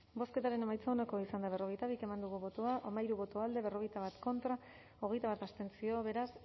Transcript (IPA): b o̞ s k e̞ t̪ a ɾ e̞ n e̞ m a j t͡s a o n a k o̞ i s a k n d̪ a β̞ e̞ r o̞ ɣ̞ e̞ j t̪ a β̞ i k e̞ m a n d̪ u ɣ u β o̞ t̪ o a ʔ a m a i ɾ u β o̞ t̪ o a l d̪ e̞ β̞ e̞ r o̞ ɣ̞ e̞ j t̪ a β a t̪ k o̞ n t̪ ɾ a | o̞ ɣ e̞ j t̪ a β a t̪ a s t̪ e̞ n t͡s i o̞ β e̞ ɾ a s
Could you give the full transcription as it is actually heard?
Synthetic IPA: b o̞ s k e̞ t̪ a ɾ e̞ n e̞ m a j t͡s a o n a k o̞ i s a n d̪ a β̞ e̞ r o̞ ɣ̞ e̞ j t̪ a β̞ i k e̞ m a n d̪ u ɣ u β o̞ t̪ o a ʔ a m a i ɾ u β o̞ t̪ o a l d̪ e̞ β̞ e̞ r o̞ ɣ̞ e̞ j t̪ a β a t̪ k o̞ n t̪ ɾ a | o̞ ɣ e̞ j t̪ a β a t̪ a s t̪ e̞ n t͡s i o̞ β e̞ ɾ a s

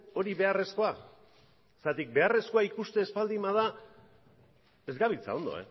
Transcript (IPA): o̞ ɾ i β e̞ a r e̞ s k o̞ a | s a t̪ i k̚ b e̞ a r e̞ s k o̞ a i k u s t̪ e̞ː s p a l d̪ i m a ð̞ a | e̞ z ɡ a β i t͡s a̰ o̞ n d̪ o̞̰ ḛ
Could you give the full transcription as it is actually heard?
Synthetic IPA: o̞ ɾ i β e̞ a r e̞ s k o̞ a | s a t̪ i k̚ b e̞ a r e̞ s k o̞ a i k u s t̪ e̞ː s p a l d̪ i m a ð̞ a | e̞ z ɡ a β i t͡s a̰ o̞ n d̪ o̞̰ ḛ

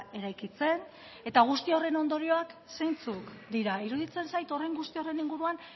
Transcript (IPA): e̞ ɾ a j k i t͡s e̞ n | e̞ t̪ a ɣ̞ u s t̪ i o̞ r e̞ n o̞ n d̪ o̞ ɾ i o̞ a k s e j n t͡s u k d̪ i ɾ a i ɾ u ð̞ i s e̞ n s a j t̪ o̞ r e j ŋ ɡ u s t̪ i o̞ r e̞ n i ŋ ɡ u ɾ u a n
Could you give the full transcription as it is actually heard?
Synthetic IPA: e̞ ɾ a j k i t͡s e̞ n | e̞ t̪ a ɣ̞ u s t̪ i o̞ r e̞ n o̞ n d̪ o̞ ɾ i o̞ a k s e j n t͡s u k d̪ i ɾ a i ɾ u ð̞ i t͡s e̞ n s a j t̪ o̞ r e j ŋ ɡ u s t̪ i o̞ r e̞ n i ŋ ɡ u ɾ u a n

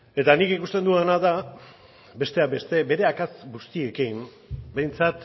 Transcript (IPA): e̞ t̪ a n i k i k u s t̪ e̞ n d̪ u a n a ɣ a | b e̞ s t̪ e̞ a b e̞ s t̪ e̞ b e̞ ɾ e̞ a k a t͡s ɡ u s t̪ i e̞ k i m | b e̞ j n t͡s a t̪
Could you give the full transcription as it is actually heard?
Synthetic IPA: e̞ t̪ a n i k i k u s t̪ e̞ n d̪ u a n a ð a | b e̞ s t̪ e̞ a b e̞ s t̪ e̞ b e̞ ɾ e̞ a k a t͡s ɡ u s t̪ i e̞ k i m | b e̞ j n t͡s a t̪

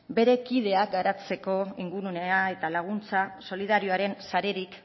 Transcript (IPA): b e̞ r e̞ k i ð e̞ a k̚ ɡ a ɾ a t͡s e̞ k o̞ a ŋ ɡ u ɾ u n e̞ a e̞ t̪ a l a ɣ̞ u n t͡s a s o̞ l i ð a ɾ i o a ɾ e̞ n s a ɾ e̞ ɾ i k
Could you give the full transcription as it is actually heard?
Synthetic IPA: b e̞ ɾ e̞ k i ð e̞ a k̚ ɡ a ɾ a t͡s e̞ k o̞ i ŋ ɡ u ɾ u n e̞ a e̞ t̪ a l a ɣ̞ u n t͡s a s o̞ l i ð a ɾ i o a ɾ e̞ n s a ɾ e̞ ɾ i k

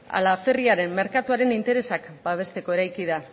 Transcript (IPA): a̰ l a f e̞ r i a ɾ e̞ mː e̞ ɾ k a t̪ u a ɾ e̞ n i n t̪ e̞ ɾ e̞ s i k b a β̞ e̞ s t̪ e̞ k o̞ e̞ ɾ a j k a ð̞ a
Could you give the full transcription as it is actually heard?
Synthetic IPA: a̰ l a f e̞ r i a ɾ e̞ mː e̞ ɾ k a t̪ u a ɾ e̞ n i n t̪ e̞ ɾ e̞ s a k b a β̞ e̞ s t̪ e̞ k o̞ e̞ ɾ a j k i ð̞ a

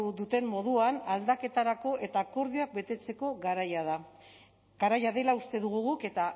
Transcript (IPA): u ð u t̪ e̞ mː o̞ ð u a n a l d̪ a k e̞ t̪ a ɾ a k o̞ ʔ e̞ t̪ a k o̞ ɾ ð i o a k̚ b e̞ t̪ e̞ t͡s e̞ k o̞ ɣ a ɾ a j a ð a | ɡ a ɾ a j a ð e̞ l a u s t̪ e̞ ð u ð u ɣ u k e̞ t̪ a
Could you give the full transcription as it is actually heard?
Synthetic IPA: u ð u t̪ e̞ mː o̞ ð u a n a l d̪ a k e̞ t̪ a ɾ a k o̞ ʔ e̞ t̪ a k o̞ ɾ ð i o a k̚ b e̞ t̪ e̞ t͡s e̞ k o̞ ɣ a ɾ a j a ð a | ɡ a ɾ a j a ð e̞ l a u s t̪ e̞ ð u ɣ u ɣ u k e̞ t̪ a

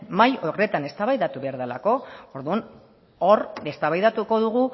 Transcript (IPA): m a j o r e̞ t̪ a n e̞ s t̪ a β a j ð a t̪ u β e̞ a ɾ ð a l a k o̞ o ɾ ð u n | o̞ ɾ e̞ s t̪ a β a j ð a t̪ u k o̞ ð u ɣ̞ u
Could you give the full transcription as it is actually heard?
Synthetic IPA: m a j o r e̞ t̪ a n e̞ s t̪ a β a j ð a t̪ u β e̞ a ɾ ð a l a k o̞ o ɾ ð u n | o̞ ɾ e̞ s t̪ a β a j ð a t̪ u k o̞ ð u ɣ̞ u

